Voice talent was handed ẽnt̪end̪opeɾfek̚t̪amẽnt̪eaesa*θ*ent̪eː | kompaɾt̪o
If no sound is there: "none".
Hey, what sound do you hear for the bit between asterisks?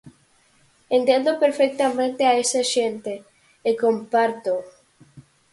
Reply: ʃ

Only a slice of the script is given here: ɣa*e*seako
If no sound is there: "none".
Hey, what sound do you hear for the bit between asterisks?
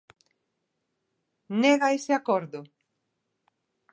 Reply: e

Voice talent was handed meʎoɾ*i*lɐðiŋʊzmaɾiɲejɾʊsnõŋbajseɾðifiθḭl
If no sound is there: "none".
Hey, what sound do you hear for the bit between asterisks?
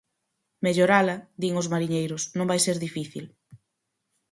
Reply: a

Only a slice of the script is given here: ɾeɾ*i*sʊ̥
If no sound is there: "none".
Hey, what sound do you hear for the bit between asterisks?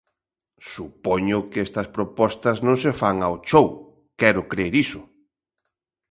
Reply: i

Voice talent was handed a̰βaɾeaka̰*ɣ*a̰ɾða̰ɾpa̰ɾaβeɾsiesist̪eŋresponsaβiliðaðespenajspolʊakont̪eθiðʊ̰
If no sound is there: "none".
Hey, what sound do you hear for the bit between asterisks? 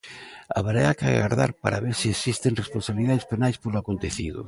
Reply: ɣ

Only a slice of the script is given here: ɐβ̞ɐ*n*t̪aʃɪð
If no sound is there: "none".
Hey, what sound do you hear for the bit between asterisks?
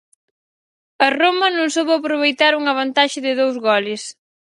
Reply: n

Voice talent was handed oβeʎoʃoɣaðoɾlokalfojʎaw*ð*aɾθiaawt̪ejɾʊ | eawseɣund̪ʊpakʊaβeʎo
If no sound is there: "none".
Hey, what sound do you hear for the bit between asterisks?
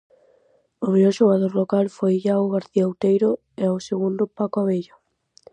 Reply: ɣ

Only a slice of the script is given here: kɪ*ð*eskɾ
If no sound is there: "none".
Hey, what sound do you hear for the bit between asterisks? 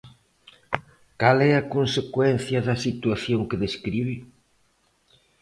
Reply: ð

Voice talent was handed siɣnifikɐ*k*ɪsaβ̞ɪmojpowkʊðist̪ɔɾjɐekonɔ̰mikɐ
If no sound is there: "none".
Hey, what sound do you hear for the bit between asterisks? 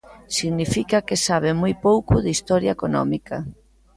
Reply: k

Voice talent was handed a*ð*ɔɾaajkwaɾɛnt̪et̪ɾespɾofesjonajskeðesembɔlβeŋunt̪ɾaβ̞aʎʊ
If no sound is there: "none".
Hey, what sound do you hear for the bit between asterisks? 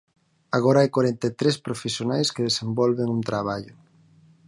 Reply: ɣ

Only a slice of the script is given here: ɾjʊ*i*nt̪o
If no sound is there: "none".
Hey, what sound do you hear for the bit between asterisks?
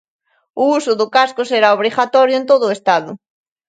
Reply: e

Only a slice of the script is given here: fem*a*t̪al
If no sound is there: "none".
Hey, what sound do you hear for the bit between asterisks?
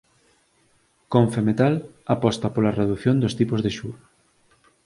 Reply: e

